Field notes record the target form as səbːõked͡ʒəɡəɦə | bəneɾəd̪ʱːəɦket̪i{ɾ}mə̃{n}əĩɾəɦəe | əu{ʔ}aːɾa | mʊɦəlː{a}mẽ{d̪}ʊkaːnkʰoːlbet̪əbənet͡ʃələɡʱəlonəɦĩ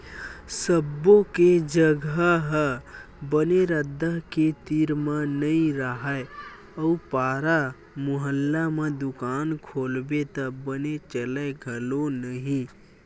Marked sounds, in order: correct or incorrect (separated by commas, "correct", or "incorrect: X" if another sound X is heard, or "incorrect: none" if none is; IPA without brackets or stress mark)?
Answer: correct, correct, incorrect: p, correct, correct